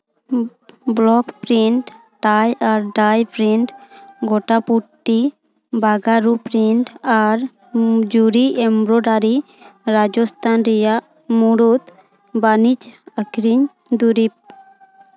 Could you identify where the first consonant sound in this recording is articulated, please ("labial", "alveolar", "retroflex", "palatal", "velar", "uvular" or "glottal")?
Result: labial